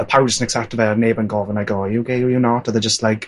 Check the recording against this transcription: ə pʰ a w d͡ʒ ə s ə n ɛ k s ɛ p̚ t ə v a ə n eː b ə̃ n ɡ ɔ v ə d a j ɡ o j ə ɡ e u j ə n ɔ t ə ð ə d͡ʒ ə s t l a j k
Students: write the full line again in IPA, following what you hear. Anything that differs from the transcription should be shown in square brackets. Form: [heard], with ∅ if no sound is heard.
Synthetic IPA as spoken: ə pʰ a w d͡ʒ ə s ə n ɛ k s ɛ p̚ t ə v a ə n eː b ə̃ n ɡ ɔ v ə [n] a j ɡ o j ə ɡ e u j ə n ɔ t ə ð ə d͡ʒ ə s t l a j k